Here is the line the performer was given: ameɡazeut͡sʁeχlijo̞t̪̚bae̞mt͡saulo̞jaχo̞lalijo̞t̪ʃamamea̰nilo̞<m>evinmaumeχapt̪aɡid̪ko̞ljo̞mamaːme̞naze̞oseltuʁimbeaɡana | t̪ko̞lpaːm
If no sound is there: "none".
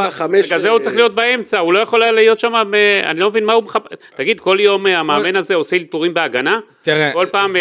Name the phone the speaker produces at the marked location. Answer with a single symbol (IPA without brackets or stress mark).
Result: m